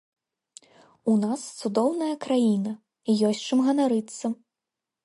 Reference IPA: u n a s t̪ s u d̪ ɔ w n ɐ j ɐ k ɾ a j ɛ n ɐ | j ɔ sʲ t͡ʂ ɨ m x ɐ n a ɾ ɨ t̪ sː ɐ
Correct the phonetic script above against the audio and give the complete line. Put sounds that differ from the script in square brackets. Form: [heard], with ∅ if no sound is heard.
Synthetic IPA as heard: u n a s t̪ s u d̪ ɔ w n ɐ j ɐ k ɾ a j [i] n ɐ | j ɔ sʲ t͡ʂ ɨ m [ɣ] ɐ n a ɾ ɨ t̪ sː ɐ